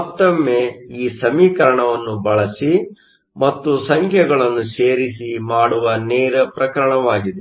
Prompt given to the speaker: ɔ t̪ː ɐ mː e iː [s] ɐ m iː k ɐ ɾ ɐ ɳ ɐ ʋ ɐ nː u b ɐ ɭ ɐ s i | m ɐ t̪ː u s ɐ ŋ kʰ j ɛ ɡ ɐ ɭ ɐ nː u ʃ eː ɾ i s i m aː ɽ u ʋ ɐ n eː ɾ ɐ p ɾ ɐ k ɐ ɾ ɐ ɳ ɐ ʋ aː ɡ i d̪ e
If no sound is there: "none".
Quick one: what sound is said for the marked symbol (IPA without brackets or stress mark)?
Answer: s